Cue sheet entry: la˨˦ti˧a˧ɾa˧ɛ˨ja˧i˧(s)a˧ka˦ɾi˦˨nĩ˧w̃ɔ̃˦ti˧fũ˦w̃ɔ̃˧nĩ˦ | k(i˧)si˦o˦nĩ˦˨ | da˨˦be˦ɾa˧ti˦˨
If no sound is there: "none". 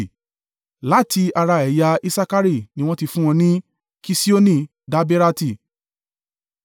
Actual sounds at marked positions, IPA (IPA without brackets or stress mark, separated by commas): s, i˧